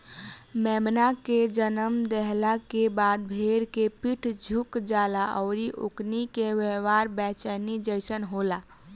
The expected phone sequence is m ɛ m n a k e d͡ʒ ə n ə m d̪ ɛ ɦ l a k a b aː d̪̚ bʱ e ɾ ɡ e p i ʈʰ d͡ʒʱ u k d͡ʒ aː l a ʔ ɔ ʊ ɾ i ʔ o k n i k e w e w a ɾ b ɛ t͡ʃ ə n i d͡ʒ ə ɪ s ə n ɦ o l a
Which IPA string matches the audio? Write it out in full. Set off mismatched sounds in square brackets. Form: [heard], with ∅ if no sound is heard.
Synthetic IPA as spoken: m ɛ m n a k e d͡ʒ ə n ə m d̪ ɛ ɦ l a k [e] b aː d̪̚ bʱ e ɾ [k] e p i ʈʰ d͡ʒʱ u k d͡ʒ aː l a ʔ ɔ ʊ ɾ i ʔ o k n i k e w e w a ɾ b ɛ t͡ʃ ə n i d͡ʒ ə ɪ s ə n ɦ o l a